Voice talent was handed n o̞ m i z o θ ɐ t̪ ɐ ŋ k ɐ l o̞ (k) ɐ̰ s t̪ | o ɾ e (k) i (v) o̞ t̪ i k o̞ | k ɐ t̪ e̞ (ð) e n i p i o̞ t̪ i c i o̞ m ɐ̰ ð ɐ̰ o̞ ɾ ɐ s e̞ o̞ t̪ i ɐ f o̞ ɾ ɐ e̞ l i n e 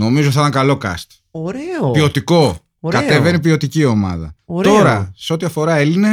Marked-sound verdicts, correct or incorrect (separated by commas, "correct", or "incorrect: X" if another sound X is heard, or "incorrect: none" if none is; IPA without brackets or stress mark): correct, incorrect: p, incorrect: none, incorrect: v